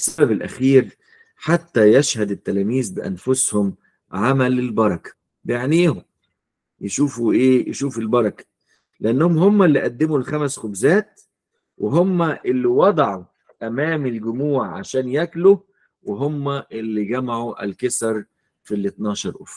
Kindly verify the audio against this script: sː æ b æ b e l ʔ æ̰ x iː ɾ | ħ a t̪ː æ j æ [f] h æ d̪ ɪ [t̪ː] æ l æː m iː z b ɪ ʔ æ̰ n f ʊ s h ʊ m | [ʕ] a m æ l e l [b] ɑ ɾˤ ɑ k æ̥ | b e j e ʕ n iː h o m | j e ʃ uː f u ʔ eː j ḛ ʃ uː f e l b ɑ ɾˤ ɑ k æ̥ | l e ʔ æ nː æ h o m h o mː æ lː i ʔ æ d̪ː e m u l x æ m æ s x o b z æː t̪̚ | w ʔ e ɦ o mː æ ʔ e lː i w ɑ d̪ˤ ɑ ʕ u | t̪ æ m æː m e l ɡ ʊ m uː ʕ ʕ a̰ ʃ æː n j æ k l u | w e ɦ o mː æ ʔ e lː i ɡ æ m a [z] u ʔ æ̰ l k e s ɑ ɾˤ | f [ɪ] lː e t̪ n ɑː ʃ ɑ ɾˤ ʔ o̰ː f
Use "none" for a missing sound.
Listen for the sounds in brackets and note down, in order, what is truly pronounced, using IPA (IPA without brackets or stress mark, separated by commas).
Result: ʃ, t̪ː, ʕ, b, ʕ, i